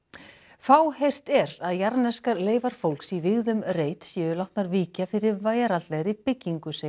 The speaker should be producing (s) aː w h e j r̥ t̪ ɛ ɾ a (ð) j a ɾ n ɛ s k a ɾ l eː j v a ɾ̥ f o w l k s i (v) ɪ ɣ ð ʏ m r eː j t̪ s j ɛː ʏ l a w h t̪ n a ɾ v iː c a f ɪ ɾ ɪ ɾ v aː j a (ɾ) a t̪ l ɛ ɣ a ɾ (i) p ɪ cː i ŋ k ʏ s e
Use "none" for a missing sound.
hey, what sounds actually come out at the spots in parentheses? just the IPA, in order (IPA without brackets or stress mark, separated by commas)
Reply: f, ð, v, ɾ, i